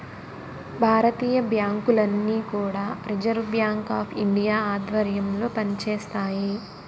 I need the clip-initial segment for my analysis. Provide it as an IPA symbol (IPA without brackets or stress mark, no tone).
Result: bʱ